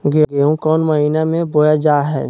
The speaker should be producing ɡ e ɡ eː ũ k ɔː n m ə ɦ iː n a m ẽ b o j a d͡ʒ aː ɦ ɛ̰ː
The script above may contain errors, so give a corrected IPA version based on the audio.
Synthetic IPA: ɡ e ɡ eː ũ k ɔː n m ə ɦ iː n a m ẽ b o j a d͡ʒ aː ɦ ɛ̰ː

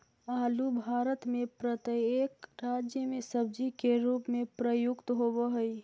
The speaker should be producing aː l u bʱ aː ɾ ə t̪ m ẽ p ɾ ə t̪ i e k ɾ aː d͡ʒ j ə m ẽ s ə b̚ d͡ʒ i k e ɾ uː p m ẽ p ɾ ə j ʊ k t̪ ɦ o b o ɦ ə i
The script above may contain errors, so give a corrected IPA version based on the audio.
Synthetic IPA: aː l u bʱ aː ɾ ə t̪ m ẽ p ɾ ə t̪ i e k ɾ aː d͡ʒ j ə m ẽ s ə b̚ d͡ʒ i k e ɾ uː p m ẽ p ɾ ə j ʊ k t̪ ɦ o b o ɦ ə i

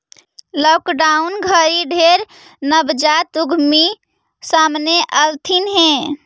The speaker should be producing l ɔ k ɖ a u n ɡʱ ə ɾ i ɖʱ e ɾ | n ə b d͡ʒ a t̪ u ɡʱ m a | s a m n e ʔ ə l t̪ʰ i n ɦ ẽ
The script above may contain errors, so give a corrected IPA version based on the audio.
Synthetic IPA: l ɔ k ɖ a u n ɡʱ ə ɾ i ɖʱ e ɾ | n ə b d͡ʒ a t̪ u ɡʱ m i | s a m n e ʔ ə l t̪ʰ i n ɦ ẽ

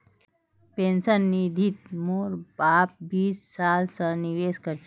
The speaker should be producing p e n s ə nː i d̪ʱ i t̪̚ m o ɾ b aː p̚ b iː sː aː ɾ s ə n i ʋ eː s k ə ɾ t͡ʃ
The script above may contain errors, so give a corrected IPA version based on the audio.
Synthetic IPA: p e n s ə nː i d̪ʱ i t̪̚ m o ɾ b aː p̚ b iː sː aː l s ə n i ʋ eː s k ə ɾ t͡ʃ

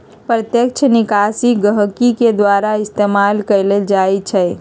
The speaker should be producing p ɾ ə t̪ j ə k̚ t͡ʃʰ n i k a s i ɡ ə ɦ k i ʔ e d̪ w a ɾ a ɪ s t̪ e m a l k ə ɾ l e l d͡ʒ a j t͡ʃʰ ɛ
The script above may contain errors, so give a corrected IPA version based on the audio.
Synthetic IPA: p ɾ ə t̪ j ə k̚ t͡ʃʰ n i k a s i ɡ ə ɦ k i k e d̪ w a ɾ a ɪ s t̪ e m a l k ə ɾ l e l d͡ʒ a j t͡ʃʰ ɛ

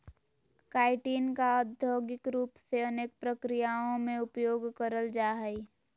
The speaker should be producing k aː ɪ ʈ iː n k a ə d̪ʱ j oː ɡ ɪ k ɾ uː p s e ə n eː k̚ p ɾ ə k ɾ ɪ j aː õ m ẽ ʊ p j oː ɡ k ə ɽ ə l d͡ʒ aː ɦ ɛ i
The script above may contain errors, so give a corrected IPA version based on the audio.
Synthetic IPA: k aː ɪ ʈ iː n k a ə d̪ʱ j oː ɡ ɪ k ɾ uː p s e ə n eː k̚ p ɾ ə k ɾ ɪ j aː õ m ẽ ʊ p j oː ɡ k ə ɾ ə l d͡ʒ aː ɦ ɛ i

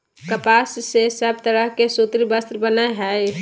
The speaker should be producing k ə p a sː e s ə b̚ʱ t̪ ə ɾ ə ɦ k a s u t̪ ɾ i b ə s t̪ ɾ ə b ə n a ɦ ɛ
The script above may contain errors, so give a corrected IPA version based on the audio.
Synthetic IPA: k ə p a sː e s ə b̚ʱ t̪ ə ɾ ə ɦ k e s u t̪ ɾ i b ə s t̪ ɾ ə b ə n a ɦ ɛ

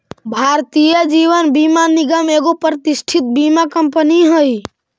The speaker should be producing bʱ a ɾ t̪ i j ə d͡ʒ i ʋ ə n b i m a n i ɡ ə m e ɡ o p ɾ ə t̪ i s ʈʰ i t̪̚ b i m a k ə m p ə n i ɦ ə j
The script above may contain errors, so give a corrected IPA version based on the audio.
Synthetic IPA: bʱ a ɾ t̪ i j ə d͡ʒ i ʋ ə n b i m a n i ɡ ə m e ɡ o p ɾ ə t̪ i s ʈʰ i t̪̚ b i m a k ə m p ə n i ɦ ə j

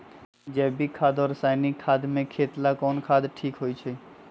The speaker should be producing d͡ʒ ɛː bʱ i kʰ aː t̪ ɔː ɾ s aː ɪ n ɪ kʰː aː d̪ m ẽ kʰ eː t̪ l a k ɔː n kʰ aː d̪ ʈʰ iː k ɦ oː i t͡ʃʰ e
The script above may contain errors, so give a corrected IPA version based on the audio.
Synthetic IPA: d͡ʒ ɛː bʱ i kʰ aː d̪ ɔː ɾ s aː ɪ n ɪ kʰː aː d̪ m ẽ kʰ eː t̪ l a k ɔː n kʰ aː d̪ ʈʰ iː k ɦ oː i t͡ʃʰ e

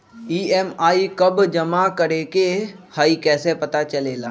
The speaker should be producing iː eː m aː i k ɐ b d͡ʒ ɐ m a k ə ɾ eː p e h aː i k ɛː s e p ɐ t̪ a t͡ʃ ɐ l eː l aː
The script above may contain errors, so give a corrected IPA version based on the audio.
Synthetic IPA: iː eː m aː i k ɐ b d͡ʒ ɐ m a k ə ɾ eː k e h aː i k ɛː s e p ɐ t̪ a t͡ʃ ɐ l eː l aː

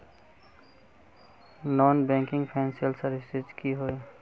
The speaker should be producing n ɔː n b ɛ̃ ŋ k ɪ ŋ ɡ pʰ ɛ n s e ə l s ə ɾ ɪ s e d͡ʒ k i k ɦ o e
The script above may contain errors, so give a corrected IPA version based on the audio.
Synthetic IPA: n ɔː n b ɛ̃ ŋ k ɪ ŋ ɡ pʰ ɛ n s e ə l s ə ɾ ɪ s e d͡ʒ k i ɦ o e

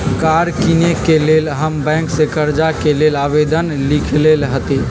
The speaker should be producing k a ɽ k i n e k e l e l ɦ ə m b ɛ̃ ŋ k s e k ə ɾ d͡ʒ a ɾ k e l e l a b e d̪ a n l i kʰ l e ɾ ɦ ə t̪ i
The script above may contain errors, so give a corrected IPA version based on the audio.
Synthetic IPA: k a ɾ k i n e k e l e l ɦ ə m b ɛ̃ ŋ k s e k ə ɾ d͡ʒ a k e l e l a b e d̪ ə n l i kʰ l e l ɦ ə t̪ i

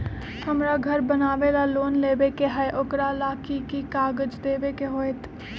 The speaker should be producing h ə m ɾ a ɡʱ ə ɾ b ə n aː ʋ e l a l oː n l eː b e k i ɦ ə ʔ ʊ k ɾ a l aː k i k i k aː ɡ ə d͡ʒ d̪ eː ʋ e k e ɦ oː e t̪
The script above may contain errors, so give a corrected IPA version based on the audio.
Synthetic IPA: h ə m ɾ a ɡʱ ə ɾ b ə n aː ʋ e l a l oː n l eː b e k e ɦ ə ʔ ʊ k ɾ a l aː k i k i k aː ɡ ə d͡ʒ d̪ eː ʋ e k e ɦ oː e t̪

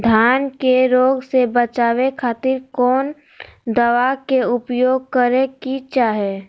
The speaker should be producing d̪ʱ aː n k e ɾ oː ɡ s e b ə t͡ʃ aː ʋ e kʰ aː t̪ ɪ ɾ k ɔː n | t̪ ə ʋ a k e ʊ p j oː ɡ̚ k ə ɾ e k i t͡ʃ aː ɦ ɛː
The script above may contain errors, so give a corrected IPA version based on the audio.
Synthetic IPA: d̪ʱ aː n k e ɾ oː ɡ s e b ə t͡ʃ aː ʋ e kʰ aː t̪ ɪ ɾ k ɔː n | d̪ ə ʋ a k e ʊ p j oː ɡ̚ k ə ɾ e k i t͡ʃ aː ɦ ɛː

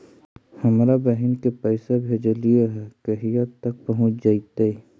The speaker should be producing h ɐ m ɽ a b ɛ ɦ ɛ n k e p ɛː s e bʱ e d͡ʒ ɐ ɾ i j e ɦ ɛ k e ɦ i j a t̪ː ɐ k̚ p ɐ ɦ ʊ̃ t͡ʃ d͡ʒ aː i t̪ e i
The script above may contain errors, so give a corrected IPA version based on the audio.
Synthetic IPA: h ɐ m ɾ a b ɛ ɦ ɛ n k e p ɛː s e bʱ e d͡ʒ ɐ l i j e ɦ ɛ k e ɦ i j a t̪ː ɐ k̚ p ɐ ɦ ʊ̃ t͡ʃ d͡ʒ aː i t̪ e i

